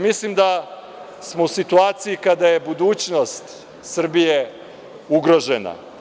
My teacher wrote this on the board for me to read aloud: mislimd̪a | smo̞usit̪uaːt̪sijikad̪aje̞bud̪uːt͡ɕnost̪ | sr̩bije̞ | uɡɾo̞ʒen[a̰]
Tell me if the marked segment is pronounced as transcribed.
yes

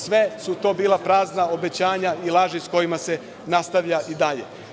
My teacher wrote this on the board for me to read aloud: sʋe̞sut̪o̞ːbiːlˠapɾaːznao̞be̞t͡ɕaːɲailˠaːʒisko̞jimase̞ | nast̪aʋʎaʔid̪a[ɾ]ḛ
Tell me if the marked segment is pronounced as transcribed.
no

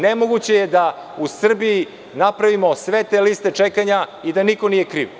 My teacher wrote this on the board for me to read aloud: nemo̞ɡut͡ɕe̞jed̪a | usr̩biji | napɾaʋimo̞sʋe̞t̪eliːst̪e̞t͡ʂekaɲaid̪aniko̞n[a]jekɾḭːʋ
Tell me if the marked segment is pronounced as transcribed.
no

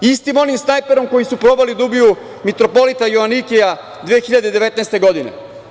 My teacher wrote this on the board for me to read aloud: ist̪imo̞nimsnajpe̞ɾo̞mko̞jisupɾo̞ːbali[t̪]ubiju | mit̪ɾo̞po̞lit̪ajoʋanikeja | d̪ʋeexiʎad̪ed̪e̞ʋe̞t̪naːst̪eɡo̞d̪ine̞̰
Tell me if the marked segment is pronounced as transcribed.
no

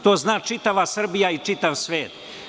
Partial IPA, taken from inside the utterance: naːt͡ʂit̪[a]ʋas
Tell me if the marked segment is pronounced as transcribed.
yes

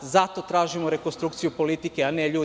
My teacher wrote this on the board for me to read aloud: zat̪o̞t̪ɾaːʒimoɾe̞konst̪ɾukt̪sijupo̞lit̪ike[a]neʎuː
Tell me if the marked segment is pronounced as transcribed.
yes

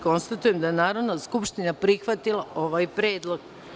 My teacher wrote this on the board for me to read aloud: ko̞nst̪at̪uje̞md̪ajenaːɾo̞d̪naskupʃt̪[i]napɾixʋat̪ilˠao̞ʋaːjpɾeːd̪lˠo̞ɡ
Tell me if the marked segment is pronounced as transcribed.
yes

